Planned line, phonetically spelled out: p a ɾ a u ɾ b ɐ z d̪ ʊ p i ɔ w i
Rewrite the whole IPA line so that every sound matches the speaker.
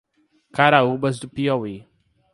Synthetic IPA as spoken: k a ɾ a u b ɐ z d̪ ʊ p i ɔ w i